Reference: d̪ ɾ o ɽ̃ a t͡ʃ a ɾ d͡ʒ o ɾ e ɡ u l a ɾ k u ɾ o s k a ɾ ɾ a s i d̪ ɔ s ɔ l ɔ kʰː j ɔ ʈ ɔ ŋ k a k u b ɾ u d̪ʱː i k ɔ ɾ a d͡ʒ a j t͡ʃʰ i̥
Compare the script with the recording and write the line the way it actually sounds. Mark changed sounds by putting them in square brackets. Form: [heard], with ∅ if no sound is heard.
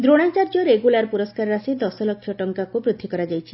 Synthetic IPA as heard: d̪ ɾ o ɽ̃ a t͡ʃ a ɾ d͡ʒ o ɾ e ɡ u l a ɾ [p] u ɾ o s k a ɾ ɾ a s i d̪ ɔ s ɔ l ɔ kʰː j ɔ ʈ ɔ ŋ k a k u b ɾ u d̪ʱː i k ɔ ɾ a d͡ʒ a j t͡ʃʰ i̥